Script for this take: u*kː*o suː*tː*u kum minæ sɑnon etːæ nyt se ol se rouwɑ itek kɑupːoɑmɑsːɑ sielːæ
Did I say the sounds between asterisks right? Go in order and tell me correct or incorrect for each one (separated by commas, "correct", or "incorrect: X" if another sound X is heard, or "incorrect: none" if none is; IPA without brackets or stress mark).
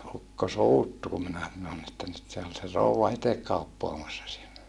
correct, correct